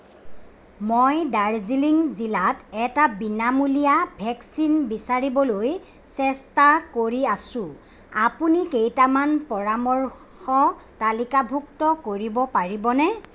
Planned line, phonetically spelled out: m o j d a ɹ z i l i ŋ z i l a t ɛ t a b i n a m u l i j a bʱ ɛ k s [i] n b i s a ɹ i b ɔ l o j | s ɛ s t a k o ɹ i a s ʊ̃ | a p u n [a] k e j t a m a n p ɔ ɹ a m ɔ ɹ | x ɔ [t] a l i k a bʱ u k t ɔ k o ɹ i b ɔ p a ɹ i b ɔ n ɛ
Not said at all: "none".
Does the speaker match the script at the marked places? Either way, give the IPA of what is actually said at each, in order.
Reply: i, i, t

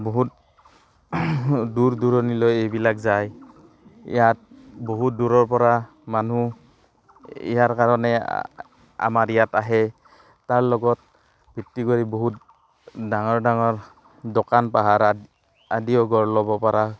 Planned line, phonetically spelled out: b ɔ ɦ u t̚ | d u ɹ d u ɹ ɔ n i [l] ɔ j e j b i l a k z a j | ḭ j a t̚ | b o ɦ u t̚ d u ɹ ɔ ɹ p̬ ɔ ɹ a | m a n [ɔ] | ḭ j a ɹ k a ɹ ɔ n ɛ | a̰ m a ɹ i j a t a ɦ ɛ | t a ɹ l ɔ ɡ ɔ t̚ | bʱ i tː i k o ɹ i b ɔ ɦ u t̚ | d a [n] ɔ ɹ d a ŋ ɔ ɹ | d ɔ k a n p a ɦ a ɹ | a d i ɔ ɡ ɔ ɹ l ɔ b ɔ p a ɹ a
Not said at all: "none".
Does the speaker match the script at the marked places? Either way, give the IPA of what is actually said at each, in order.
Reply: l, u, ŋ

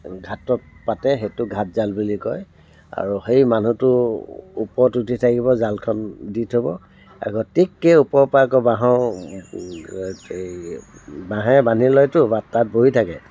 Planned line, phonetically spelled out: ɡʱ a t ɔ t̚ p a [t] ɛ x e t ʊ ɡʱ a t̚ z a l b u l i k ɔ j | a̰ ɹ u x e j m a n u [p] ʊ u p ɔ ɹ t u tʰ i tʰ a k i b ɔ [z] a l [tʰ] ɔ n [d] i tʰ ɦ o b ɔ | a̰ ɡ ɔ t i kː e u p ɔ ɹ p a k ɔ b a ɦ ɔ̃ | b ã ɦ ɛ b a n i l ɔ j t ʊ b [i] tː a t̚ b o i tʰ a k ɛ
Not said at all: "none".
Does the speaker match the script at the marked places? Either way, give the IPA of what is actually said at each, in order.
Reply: t, t, z, kʰ, d, a

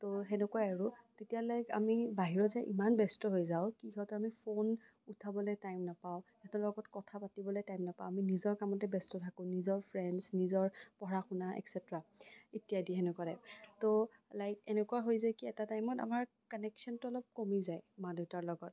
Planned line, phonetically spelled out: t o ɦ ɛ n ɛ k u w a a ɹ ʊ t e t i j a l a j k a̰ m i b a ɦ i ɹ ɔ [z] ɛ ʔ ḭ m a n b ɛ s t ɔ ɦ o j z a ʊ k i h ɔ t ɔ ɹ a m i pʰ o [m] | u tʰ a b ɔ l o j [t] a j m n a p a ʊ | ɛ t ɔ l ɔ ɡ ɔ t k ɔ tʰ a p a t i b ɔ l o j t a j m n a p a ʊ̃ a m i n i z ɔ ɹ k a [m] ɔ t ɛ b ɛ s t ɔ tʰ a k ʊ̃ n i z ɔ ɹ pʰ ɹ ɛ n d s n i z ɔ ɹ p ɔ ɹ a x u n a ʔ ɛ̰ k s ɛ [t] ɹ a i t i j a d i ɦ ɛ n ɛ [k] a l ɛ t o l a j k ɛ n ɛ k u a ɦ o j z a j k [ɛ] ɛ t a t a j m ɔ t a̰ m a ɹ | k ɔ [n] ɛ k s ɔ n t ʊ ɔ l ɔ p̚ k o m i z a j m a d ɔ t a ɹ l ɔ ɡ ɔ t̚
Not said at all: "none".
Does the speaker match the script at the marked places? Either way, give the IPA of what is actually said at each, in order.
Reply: z, n, t, m, t, k, i, n

